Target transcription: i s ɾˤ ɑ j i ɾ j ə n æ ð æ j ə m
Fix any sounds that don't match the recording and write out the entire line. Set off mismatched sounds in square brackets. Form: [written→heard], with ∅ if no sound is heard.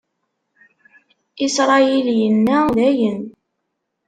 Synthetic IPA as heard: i s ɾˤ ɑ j i [ɾ→l] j ə [n→nː] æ ð æ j ə [m→n]